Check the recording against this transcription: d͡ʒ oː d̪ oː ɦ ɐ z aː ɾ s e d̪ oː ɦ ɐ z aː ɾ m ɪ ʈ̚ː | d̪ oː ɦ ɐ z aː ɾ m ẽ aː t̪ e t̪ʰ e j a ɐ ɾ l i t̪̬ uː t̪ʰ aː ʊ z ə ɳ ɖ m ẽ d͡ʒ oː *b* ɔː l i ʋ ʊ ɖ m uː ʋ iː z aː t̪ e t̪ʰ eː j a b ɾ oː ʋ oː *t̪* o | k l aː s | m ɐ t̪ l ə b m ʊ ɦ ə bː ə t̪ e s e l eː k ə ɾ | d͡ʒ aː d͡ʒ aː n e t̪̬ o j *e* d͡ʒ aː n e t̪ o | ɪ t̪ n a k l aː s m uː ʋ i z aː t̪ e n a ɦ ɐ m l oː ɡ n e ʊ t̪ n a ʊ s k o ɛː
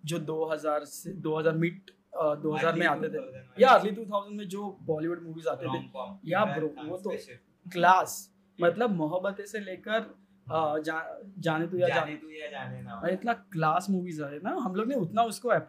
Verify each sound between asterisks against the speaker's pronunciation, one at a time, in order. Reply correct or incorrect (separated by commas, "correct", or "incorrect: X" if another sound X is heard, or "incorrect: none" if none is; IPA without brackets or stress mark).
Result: correct, correct, incorrect: a